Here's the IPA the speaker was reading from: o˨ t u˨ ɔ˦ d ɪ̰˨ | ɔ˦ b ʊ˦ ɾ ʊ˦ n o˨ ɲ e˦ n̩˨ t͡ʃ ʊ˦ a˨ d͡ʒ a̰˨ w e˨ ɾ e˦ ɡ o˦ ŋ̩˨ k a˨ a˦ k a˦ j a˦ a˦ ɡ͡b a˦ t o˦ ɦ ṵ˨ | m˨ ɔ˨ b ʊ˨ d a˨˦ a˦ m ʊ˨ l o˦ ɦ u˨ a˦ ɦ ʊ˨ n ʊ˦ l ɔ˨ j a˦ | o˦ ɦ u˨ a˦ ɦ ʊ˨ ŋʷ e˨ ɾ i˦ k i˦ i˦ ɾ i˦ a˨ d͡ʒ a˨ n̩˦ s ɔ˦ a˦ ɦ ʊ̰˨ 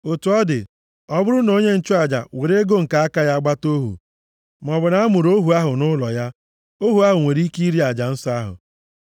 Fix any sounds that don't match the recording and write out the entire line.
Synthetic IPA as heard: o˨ t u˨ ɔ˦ d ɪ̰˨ | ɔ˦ b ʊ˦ ɾ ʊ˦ n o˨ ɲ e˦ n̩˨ t͡ʃ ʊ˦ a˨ d͡ʒ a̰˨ w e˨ ɾ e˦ ɡ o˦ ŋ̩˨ k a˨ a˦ k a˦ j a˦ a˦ ɡ͡b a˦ t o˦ ɦ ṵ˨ | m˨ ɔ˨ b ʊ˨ n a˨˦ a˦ m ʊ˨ ɾ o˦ ɦ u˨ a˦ ɦ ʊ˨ n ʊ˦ l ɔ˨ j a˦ | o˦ ɦ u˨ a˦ ɦ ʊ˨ ŋʷ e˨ ɾ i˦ k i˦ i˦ ɾ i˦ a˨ d͡ʒ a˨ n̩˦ s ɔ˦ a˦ ɦ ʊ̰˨

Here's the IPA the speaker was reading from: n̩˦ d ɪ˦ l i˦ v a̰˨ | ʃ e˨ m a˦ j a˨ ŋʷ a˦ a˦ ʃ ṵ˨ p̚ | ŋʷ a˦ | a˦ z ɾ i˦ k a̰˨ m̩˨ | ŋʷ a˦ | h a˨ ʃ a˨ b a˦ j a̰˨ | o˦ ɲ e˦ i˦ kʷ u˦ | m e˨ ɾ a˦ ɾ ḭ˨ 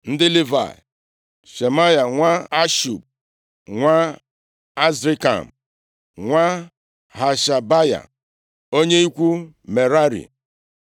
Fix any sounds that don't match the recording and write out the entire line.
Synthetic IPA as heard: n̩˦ d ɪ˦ l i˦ v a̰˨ | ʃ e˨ m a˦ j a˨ ŋʷ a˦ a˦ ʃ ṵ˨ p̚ | ŋʷ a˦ | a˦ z ɾ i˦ k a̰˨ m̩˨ | ŋʷ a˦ | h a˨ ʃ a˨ b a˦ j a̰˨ | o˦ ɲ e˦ i˦ kʷ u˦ | m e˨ ɾ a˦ ɾ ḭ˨

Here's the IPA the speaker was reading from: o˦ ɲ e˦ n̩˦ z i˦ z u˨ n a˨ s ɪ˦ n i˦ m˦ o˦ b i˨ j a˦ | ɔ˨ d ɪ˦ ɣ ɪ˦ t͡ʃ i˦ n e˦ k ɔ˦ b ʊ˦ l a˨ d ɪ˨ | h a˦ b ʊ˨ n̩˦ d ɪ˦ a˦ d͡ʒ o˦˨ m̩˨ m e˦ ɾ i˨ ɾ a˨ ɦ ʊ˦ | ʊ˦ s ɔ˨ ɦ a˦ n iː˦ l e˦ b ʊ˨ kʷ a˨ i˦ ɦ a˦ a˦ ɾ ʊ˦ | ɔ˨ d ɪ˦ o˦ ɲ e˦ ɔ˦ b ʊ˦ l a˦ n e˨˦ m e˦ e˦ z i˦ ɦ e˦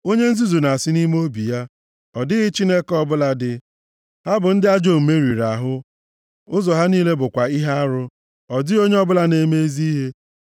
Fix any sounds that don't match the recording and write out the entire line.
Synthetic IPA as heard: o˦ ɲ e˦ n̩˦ z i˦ z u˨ n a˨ s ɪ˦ n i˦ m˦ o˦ b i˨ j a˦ | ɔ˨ d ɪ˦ ɣ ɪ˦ t͡ʃ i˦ n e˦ k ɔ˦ b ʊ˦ l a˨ d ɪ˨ | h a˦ b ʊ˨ n̩˦ d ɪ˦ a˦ d͡ʒ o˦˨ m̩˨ m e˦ ɾ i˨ ɾ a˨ ɦ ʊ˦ | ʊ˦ z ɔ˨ ɦ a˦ n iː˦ l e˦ b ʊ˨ kʷ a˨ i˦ ɦ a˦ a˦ ɾ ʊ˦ | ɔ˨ d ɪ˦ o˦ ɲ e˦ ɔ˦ b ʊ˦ l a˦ n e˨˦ m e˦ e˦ z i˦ ɦ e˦

